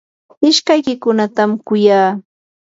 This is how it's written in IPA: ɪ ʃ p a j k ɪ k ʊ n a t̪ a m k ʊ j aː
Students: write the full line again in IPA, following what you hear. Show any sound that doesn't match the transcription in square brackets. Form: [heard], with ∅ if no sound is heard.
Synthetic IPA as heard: ɪ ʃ [k] a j k ɪ k ʊ n a t̪ a m k ʊ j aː